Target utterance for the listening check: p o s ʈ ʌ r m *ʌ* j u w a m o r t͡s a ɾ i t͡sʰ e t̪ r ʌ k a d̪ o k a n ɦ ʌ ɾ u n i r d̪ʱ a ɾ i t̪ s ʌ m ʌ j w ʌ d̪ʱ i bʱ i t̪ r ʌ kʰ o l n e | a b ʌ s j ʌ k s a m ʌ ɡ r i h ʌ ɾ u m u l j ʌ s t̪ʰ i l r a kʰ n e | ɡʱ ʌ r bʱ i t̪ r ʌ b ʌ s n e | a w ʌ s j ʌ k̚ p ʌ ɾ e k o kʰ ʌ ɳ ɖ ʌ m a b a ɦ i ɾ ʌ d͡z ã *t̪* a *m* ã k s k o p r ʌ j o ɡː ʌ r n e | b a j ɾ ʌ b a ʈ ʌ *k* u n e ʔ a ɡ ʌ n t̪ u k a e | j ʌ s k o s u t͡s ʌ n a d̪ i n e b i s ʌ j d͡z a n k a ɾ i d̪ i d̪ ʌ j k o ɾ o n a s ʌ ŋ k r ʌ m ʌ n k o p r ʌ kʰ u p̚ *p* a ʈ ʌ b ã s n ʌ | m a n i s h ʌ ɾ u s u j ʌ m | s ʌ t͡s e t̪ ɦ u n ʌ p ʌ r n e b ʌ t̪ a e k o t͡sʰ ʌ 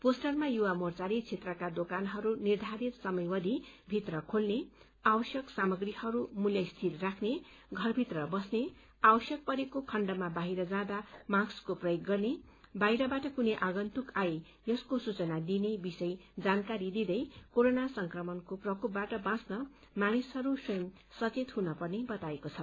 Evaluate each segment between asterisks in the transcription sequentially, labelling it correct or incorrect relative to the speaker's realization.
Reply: incorrect: a, incorrect: d̪, correct, correct, incorrect: b

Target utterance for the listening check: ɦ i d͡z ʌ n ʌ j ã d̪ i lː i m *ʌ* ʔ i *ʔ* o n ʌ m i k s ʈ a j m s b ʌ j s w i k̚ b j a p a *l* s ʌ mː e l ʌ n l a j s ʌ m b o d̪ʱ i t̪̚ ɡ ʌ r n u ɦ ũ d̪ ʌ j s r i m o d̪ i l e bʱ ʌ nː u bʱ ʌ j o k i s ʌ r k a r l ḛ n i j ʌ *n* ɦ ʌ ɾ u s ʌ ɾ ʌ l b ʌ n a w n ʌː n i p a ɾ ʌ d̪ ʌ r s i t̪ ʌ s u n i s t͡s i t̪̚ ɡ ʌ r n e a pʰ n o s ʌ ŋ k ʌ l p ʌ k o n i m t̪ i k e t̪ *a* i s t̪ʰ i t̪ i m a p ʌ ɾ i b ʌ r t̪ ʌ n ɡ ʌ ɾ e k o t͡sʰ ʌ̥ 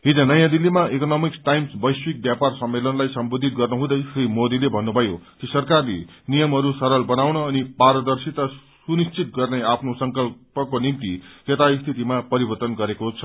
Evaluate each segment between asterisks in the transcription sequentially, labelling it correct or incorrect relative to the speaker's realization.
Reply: incorrect: a, incorrect: k, incorrect: r, incorrect: m, correct

